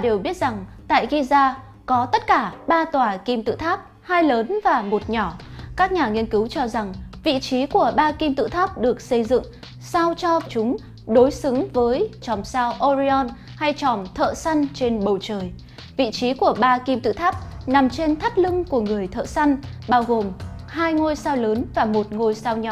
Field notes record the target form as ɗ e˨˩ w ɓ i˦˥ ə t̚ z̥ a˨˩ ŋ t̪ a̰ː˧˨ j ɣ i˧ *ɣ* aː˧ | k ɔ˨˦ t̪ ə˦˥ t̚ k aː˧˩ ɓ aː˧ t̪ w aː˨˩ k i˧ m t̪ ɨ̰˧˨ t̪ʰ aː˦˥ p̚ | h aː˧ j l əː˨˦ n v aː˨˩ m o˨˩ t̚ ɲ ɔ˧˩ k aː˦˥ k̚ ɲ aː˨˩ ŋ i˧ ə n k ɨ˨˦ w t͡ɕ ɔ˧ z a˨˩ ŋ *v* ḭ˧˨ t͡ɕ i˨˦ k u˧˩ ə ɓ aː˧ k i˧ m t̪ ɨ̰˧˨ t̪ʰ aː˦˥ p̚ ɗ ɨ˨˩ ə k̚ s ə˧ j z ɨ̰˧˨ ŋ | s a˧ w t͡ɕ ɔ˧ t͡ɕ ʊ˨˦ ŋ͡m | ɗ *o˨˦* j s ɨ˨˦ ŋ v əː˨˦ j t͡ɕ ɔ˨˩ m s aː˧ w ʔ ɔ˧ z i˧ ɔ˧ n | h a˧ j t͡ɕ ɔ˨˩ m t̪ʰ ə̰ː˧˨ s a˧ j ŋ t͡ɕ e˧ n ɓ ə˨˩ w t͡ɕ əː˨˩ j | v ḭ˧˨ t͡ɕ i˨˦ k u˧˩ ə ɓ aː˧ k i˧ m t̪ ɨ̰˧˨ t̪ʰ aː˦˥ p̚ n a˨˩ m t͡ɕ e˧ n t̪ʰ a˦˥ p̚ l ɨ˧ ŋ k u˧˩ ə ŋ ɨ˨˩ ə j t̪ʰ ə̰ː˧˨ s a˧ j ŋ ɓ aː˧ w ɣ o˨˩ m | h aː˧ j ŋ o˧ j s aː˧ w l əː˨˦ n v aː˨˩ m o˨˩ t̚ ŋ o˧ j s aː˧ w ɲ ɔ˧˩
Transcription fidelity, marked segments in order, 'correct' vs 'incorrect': incorrect: z, correct, correct

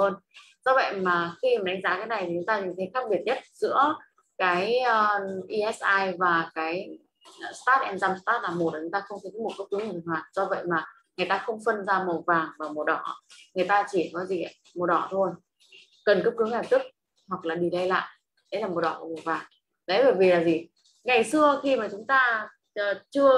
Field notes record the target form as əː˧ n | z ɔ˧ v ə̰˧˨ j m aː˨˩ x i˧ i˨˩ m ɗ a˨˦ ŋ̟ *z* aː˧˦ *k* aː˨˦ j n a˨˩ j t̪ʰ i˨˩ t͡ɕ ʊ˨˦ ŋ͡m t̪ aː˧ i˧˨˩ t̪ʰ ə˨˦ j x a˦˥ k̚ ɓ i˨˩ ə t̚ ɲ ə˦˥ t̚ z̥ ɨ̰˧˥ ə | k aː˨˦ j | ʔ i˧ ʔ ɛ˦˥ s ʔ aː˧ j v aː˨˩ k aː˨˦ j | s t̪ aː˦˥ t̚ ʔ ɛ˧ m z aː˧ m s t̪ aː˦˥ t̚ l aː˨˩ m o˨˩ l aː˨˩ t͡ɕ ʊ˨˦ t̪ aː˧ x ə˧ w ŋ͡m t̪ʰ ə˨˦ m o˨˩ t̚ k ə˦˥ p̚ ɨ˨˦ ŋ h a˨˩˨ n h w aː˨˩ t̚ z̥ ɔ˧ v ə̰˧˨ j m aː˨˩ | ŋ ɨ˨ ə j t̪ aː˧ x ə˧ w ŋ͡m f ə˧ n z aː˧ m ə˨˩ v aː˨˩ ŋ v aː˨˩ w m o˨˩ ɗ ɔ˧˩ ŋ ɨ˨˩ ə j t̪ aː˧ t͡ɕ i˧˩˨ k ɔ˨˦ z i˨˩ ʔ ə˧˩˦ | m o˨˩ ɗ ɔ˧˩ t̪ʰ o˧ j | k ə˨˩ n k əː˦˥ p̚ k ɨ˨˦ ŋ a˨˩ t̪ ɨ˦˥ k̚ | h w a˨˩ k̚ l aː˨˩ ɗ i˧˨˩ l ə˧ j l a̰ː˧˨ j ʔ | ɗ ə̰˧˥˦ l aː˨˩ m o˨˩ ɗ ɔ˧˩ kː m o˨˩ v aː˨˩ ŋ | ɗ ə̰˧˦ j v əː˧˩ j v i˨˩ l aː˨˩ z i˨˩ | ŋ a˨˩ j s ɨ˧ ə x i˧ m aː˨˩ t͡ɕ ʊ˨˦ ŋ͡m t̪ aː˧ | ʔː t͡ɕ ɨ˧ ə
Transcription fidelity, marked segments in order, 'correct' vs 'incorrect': correct, correct

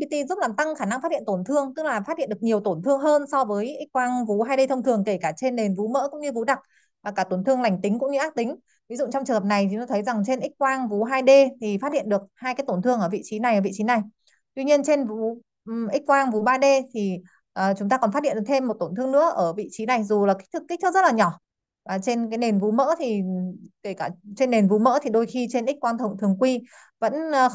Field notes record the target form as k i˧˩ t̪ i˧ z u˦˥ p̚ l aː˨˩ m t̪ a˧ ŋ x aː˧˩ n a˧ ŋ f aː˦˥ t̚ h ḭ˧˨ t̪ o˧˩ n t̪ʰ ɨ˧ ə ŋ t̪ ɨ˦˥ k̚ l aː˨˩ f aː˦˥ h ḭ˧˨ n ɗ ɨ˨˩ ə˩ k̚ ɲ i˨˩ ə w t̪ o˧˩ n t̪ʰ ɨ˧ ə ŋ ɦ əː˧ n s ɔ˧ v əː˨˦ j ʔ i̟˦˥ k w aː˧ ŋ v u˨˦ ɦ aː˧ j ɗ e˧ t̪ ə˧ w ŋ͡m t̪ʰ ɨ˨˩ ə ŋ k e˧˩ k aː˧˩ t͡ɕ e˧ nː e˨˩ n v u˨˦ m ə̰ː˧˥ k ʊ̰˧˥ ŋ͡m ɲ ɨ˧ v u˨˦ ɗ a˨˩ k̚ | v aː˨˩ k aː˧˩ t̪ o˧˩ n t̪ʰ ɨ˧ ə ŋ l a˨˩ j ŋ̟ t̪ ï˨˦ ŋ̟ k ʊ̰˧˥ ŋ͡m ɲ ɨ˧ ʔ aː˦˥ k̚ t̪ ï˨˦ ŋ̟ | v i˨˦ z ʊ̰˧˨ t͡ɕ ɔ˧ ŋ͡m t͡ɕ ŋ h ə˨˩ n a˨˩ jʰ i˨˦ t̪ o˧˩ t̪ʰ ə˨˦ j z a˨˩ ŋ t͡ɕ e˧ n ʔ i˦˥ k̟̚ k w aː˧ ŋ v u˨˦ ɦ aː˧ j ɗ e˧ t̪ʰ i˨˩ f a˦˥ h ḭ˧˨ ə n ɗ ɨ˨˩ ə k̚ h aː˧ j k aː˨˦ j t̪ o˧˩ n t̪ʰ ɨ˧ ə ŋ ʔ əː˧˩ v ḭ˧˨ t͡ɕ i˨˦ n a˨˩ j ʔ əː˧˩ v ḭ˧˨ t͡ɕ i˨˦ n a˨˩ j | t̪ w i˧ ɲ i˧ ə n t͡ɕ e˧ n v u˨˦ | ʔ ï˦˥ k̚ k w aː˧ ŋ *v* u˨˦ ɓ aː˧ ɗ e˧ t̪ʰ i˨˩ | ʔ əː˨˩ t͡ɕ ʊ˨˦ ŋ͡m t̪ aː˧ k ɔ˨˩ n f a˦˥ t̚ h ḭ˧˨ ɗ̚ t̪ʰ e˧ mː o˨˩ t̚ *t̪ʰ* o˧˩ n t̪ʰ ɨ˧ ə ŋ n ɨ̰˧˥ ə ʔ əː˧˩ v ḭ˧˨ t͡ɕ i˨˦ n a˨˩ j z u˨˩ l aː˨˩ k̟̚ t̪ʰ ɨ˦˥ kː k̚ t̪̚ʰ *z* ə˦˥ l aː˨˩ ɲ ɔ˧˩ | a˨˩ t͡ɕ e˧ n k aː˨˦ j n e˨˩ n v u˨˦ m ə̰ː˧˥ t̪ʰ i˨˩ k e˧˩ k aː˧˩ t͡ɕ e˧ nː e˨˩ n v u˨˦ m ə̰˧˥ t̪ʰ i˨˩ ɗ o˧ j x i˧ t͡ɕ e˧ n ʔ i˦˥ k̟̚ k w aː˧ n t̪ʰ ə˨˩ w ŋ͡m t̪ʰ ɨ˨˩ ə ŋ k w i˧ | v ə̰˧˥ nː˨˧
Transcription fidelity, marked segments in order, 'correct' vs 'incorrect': correct, incorrect: t̪, correct

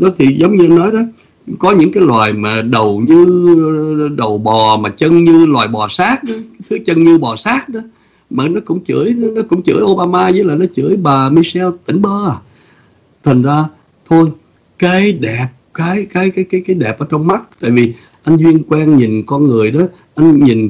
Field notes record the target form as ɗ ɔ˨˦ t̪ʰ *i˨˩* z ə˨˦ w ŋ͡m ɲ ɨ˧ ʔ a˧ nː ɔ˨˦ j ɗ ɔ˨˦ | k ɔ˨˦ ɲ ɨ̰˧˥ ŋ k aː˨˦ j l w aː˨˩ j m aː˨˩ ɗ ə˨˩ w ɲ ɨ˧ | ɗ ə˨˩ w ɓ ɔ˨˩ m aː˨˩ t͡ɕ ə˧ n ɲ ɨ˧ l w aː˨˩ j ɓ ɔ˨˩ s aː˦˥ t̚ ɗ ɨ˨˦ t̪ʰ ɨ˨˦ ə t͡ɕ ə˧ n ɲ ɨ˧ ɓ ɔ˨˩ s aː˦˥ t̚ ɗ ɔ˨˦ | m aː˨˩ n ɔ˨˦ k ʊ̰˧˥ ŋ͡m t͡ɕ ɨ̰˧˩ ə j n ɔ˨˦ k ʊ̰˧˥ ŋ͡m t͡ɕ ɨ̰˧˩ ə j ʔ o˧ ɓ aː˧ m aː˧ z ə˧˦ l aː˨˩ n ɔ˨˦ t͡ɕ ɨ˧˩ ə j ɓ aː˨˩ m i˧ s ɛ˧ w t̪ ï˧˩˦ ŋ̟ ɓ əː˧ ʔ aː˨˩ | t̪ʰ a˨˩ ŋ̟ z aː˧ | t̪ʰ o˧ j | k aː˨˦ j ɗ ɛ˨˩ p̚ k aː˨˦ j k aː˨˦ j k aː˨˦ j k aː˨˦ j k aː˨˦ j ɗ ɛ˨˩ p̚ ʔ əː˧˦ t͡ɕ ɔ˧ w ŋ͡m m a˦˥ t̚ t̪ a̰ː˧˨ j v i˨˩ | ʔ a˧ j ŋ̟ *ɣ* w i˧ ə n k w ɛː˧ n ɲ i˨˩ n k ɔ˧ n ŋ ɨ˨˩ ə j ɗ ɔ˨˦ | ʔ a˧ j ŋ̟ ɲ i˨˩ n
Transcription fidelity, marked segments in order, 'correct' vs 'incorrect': correct, incorrect: z

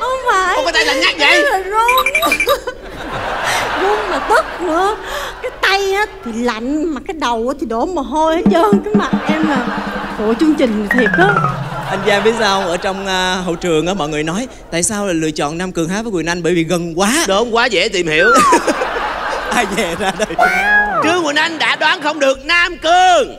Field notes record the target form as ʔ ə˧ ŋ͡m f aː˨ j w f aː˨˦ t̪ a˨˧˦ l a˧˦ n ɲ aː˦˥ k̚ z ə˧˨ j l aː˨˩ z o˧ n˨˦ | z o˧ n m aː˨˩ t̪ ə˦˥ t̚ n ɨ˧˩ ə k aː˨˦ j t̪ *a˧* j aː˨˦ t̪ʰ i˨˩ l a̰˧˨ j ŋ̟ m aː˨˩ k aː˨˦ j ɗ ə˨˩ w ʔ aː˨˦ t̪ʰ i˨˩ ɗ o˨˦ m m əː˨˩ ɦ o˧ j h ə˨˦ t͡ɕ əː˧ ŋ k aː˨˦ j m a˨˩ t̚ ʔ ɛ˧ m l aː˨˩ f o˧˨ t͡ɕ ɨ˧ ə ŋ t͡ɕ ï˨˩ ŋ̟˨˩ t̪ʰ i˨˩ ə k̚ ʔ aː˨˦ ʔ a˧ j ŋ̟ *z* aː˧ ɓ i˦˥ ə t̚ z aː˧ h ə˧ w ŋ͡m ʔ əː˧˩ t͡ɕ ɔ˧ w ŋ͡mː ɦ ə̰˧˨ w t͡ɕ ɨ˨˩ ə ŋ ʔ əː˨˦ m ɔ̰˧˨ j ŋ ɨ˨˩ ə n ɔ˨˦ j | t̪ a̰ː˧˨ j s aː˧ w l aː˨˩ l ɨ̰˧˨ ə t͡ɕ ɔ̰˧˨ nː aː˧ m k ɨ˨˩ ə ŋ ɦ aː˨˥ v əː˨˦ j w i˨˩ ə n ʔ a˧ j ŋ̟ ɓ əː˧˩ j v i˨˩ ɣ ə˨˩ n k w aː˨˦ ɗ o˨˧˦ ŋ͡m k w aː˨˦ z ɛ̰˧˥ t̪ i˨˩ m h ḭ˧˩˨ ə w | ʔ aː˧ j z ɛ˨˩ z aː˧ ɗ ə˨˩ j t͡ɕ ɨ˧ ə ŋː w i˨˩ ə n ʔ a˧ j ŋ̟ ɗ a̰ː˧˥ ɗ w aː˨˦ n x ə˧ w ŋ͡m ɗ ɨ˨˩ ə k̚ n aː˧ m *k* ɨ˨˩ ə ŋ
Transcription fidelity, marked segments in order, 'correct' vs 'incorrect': correct, correct, correct

